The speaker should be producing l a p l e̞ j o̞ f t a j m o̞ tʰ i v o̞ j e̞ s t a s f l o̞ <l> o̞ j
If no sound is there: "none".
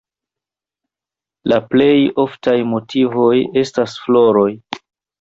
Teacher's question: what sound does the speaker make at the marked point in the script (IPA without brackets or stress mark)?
ɾ